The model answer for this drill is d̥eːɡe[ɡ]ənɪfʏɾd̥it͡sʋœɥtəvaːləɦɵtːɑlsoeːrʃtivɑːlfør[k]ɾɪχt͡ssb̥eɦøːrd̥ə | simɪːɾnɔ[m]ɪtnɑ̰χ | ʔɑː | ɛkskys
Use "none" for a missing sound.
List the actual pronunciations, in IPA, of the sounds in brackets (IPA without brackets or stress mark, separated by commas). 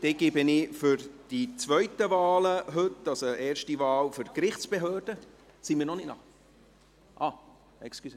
b, k, n